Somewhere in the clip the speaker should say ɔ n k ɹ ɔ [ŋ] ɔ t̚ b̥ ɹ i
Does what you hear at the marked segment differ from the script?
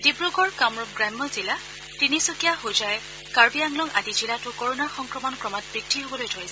yes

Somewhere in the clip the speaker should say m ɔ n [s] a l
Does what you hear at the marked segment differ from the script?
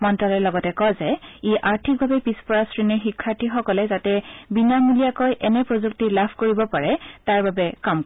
yes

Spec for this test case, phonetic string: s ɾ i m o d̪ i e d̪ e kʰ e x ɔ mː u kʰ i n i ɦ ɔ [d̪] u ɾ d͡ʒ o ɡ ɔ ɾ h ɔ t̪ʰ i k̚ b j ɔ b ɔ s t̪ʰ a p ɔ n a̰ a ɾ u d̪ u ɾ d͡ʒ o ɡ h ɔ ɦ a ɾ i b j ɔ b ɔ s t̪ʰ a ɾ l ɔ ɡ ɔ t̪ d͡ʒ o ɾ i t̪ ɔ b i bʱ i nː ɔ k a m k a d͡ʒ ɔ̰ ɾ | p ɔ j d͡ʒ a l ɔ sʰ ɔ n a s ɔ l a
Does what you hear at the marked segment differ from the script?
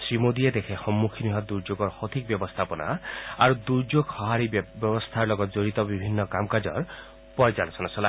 no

